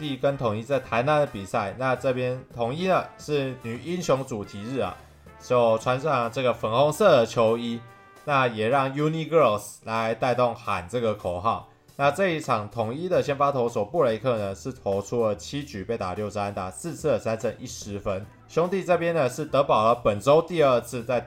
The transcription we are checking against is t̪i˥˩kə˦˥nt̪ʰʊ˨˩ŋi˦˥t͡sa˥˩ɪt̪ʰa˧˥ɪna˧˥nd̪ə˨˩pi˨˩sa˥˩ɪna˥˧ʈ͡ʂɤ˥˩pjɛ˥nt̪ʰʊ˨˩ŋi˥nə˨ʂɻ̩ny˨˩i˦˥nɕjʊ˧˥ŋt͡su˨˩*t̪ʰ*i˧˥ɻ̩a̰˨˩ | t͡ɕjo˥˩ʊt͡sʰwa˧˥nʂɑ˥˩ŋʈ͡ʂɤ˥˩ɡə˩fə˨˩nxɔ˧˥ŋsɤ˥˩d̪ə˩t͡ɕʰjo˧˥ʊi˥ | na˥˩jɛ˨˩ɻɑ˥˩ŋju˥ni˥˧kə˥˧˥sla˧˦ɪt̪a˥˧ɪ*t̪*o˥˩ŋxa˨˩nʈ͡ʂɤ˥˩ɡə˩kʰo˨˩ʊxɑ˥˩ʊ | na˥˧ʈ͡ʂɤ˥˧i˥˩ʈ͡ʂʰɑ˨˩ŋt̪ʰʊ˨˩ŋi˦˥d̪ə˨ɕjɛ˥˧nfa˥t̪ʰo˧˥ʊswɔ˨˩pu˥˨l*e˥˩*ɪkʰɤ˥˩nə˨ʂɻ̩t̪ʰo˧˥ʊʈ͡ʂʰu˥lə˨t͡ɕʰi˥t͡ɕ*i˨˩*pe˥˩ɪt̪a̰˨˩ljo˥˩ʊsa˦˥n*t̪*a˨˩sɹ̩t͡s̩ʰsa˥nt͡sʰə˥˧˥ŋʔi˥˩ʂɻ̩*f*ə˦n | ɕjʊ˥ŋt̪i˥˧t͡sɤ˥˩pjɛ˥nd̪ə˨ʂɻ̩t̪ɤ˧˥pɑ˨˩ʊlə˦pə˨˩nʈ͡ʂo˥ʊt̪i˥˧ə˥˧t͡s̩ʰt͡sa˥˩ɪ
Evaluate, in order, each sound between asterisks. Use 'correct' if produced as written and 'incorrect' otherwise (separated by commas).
correct, correct, incorrect, incorrect, correct, correct